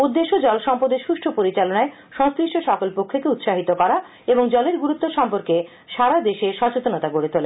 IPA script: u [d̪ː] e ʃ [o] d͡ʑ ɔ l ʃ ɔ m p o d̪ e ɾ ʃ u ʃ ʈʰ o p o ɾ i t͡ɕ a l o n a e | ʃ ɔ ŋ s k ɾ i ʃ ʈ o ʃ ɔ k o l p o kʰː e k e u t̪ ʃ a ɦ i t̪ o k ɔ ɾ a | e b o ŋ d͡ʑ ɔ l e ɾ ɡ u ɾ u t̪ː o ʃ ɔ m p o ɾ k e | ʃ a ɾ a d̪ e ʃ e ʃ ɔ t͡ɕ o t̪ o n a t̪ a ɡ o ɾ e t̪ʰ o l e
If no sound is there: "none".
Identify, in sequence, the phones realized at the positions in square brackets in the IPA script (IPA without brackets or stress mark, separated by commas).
d̪ː, o